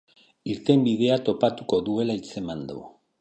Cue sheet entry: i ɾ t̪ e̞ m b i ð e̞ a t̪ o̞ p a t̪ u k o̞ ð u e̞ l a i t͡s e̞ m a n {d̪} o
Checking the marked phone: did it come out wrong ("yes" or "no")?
no